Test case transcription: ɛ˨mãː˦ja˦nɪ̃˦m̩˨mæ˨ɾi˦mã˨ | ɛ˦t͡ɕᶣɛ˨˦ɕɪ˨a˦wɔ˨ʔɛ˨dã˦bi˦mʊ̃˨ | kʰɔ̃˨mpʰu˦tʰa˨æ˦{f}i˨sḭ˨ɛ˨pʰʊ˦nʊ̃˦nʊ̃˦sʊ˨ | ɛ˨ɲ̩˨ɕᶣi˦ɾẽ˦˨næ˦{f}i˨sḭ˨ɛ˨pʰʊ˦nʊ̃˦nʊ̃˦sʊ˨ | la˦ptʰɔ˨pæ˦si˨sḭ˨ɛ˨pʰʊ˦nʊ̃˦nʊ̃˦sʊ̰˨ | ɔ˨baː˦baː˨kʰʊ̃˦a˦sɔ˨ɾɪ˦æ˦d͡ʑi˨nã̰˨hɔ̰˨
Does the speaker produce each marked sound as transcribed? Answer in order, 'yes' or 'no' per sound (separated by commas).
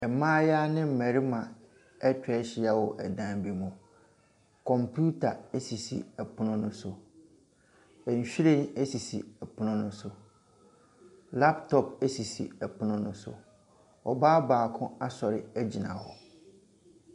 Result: no, no